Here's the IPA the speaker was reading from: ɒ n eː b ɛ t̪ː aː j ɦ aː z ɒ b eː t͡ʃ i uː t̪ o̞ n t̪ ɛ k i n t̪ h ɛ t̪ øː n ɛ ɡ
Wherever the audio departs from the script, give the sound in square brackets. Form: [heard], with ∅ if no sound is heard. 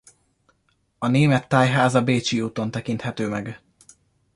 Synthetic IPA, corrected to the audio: ɒ n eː [m] ɛ t̪ː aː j ɦ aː z ɒ b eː t͡ʃ i uː t̪ o̞ n t̪ ɛ k i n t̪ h ɛ t̪ øː [m] ɛ ɡ